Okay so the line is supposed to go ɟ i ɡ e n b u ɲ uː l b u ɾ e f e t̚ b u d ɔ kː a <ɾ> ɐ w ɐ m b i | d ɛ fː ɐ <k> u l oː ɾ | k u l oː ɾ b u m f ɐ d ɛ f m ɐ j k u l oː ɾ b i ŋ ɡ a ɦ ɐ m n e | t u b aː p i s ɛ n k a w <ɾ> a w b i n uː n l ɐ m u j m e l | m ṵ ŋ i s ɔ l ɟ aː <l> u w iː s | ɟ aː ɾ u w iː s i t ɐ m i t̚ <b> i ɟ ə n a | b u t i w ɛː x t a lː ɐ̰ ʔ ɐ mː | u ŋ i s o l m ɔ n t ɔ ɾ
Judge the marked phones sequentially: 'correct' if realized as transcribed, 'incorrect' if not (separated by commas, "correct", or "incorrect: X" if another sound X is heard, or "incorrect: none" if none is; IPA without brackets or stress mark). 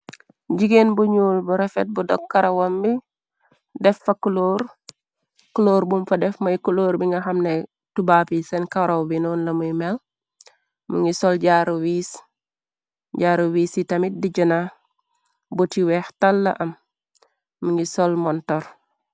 correct, correct, correct, incorrect: ɾ, incorrect: d